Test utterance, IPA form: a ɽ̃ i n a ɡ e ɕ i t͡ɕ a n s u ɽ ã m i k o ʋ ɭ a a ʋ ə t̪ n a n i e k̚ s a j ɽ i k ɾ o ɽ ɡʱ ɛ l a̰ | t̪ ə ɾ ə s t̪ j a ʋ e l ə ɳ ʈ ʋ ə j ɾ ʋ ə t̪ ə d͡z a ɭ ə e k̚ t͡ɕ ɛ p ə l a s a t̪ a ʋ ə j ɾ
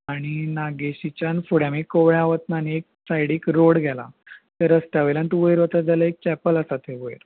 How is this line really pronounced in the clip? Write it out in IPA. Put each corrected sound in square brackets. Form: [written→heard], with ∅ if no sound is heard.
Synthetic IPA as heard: a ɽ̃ i n a ɡ e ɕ i t͡ɕ a n [s→f] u ɽ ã m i k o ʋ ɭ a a ʋ ə t̪ n a n i e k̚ s a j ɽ i k ɾ o ɽ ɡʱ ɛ l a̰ | t̪ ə ɾ ə s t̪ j a ʋ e l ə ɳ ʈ ʋ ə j ɾ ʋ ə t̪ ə d͡z a [ɭ→l] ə e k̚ t͡ɕ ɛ p ə l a s a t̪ [a→e] ʋ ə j ɾ